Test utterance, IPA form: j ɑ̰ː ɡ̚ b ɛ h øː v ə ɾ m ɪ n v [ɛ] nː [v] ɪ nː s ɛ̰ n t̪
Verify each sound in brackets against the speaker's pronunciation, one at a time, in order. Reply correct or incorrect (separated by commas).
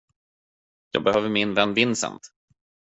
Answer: correct, correct